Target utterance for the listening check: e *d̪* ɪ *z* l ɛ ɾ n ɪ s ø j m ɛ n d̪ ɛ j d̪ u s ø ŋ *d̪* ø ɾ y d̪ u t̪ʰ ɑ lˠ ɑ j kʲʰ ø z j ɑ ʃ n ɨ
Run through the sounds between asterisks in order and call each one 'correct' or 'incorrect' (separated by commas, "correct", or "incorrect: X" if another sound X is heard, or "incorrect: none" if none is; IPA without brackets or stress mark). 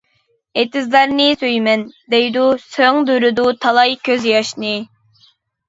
incorrect: t̪, correct, correct